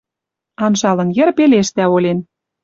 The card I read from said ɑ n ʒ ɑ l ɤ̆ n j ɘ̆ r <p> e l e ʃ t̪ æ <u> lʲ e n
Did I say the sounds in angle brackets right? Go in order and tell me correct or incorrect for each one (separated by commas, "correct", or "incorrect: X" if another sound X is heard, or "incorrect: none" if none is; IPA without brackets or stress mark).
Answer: correct, incorrect: o